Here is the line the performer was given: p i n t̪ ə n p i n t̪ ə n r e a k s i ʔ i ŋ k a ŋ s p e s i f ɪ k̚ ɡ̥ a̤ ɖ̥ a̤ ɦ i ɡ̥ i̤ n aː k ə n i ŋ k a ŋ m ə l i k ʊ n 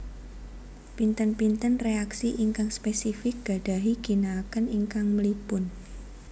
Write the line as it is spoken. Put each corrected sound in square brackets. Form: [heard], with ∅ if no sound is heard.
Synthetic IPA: p i n t̪ ə n p i n t̪ ə n r e a k s i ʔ i ŋ k a ŋ s p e s i f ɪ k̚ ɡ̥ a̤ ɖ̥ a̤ ɦ i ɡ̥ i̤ n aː k ə n i ŋ k a ŋ m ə l i [p] ʊ n